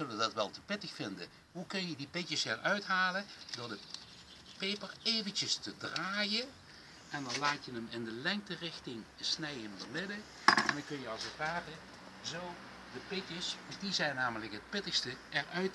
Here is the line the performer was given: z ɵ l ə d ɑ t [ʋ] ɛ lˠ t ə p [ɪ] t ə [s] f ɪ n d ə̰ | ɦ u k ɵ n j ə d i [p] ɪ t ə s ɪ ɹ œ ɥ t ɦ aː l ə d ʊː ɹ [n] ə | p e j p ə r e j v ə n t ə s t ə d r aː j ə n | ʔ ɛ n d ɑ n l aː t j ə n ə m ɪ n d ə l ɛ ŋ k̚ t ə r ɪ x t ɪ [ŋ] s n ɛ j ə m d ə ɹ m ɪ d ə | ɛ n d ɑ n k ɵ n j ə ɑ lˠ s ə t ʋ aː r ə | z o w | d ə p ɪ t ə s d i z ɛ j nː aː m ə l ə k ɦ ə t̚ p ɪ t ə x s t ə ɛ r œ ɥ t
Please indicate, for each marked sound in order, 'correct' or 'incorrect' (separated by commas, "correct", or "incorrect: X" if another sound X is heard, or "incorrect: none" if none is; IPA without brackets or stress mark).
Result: correct, correct, incorrect: x, correct, incorrect: d, correct